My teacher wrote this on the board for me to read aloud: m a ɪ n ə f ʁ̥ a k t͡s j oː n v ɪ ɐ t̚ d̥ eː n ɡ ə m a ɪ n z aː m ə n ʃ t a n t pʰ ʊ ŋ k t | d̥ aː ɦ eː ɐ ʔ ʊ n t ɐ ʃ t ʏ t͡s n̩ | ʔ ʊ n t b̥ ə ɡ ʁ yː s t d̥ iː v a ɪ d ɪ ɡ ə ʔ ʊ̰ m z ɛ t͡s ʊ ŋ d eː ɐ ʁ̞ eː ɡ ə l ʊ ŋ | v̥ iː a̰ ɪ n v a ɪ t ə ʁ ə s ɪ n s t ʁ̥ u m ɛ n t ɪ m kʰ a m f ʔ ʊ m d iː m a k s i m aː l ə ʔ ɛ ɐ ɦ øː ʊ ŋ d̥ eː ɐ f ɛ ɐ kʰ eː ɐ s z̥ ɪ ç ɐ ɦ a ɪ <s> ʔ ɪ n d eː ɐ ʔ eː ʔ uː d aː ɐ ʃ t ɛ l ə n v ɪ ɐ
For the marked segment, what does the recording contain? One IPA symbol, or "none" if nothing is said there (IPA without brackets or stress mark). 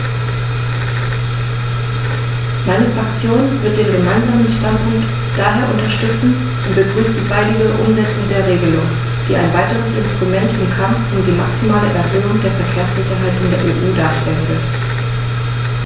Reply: t